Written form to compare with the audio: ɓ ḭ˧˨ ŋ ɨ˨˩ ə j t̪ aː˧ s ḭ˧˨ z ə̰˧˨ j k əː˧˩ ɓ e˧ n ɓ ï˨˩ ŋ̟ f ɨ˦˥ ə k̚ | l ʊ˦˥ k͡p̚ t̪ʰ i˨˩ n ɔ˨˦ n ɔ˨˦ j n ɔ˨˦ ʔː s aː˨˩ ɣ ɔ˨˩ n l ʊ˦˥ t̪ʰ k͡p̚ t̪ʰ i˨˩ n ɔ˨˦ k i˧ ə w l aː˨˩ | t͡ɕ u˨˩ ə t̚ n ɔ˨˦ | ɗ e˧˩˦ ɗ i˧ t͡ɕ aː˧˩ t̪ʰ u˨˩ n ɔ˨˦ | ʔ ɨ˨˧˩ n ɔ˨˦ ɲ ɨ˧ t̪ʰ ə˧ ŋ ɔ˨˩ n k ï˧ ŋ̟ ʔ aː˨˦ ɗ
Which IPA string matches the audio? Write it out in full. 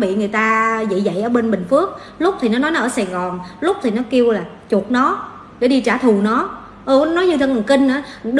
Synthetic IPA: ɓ ḭ˧˨ ŋ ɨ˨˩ ə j t̪ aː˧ z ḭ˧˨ z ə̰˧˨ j ʔ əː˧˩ ɓ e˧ n ɓ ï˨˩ ŋ̟ f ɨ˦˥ ə k̚ | l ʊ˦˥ k͡p̚ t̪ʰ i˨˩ n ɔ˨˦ n ɔ˨˦ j n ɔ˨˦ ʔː s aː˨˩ ɣ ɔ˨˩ n l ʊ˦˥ k͡p̚ t̪ʰ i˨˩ n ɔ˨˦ k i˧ ə w l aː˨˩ | t͡ɕ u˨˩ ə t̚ n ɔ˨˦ | ɗ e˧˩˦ ɗ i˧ t͡ɕ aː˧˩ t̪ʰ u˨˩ n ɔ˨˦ | ʔ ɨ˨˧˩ n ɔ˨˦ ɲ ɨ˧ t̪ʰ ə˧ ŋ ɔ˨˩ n k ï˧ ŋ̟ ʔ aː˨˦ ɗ

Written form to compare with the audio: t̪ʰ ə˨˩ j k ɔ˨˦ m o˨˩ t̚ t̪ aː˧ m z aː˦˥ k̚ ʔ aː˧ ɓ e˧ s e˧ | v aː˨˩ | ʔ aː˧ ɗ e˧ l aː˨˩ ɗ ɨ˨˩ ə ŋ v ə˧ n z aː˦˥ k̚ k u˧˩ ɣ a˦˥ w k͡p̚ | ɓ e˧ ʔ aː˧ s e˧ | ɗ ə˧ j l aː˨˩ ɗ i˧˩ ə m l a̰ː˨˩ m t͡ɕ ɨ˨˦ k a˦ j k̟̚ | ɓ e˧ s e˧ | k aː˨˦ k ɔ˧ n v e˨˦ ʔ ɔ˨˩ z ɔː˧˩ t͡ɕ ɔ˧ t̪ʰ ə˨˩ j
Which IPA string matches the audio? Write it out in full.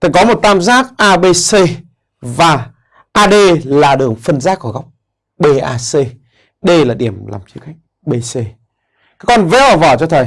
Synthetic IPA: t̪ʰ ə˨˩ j k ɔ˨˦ m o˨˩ t̚ t̪ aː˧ m z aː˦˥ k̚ ʔ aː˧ ɓ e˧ s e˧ | v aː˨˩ | ʔ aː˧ ɗ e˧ l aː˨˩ ɗ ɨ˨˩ ə ŋ f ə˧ n z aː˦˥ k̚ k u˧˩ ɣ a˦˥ w k͡p̚ | ɓ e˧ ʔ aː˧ s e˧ | ɗ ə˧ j l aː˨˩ ɗ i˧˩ ə m l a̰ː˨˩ m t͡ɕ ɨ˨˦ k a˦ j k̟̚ | ɓ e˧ s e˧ | k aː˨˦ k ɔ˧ n v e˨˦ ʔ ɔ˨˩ v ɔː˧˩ t͡ɕ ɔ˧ t̪ʰ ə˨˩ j

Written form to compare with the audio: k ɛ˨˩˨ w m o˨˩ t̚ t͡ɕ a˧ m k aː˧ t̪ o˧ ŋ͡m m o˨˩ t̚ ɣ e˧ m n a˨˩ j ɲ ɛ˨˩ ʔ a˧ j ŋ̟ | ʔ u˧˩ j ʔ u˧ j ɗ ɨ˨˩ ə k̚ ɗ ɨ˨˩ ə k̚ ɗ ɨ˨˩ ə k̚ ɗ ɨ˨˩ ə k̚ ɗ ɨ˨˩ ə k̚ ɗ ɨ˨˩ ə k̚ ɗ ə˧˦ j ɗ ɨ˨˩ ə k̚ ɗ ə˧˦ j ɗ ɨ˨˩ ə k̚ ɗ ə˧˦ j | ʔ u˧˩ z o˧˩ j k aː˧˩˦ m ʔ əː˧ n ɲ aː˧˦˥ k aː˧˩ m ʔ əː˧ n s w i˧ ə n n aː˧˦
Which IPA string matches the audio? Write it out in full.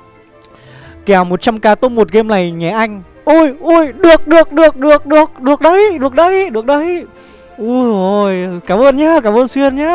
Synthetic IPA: k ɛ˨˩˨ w m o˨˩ t̚ t͡ɕ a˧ m k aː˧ t̪ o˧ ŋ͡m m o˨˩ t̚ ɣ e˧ m n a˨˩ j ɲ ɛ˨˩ ʔ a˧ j ŋ̟ | ʔ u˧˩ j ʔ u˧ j ɗ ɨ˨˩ ə k̚ ɗ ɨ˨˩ ə k̚ ɗ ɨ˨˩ ə k̚ ɗ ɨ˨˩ ə k̚ ɗ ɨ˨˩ ə k̚ ɗ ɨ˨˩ ə k̚ ɗ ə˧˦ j ɗ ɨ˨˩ ə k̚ ɗ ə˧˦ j ɗ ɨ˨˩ ə k̚ ɗ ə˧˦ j | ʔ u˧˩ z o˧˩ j k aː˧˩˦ m ʔ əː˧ n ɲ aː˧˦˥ k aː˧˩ m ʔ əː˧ n s w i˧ ə n ɲ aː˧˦

